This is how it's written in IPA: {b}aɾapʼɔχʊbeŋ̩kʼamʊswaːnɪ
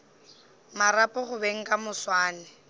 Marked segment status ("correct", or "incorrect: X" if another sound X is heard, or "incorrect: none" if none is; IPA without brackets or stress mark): incorrect: m